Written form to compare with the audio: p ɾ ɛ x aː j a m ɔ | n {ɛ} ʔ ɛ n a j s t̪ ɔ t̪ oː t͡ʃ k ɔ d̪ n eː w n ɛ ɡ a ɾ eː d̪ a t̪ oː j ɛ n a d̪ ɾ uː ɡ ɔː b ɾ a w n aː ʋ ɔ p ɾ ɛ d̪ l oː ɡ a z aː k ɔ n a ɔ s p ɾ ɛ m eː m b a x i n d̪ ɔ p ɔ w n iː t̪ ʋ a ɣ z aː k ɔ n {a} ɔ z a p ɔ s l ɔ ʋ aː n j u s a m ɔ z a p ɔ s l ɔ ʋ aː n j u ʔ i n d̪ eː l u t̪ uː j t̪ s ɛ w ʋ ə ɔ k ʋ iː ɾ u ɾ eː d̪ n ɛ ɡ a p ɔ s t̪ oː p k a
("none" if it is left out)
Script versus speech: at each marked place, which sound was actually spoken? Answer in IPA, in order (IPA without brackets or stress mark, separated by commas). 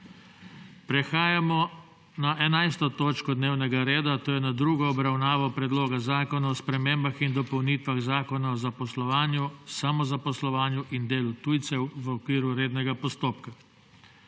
a, a